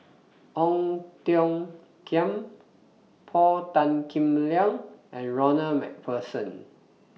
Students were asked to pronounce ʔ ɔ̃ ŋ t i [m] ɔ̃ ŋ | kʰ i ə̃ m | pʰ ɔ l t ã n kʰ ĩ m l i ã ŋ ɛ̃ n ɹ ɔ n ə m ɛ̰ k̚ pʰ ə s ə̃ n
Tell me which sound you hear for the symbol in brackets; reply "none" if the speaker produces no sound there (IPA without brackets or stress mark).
none